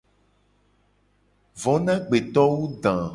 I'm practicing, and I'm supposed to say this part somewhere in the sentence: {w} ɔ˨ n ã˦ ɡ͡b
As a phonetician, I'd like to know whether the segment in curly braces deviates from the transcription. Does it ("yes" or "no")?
yes